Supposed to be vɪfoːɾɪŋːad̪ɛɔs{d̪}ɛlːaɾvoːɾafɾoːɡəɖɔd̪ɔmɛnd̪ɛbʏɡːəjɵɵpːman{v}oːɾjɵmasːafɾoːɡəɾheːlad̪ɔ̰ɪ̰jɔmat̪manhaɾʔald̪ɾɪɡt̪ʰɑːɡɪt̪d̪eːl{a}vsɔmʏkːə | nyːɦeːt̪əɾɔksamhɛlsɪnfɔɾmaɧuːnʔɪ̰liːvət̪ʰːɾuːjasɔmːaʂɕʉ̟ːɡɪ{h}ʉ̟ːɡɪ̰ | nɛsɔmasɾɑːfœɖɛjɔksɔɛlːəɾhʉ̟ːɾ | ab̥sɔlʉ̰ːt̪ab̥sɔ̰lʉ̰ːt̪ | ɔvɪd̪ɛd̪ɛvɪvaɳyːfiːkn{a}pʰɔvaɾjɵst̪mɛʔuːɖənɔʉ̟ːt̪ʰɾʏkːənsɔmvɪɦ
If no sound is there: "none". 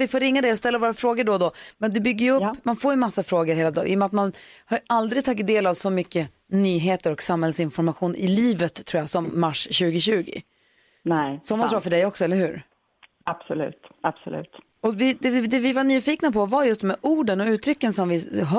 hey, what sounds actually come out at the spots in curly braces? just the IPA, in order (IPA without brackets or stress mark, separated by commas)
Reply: t̪, f, a, ɕ, a